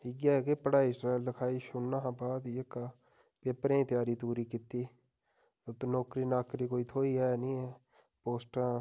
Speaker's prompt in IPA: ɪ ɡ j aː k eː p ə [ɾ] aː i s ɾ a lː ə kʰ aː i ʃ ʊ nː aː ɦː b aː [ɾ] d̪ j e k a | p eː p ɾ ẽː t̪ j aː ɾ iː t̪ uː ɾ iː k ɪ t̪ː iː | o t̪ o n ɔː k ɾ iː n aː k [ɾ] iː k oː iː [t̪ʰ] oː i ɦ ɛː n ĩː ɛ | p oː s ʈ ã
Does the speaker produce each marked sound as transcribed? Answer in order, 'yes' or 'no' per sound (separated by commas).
no, no, yes, yes